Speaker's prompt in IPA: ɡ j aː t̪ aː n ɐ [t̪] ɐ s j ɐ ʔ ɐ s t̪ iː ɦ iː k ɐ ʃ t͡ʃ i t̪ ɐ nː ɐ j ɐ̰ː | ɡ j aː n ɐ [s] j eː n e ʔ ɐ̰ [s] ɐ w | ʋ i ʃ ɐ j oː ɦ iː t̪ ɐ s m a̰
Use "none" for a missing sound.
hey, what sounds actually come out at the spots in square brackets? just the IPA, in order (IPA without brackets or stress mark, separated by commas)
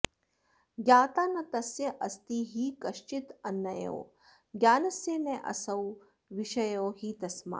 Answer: t̪, s, s